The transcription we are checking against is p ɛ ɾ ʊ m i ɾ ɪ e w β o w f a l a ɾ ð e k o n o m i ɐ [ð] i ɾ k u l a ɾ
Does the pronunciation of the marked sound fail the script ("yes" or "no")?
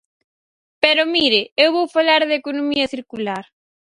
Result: yes